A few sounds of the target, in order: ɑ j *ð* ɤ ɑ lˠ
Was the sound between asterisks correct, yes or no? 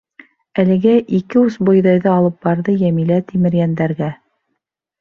yes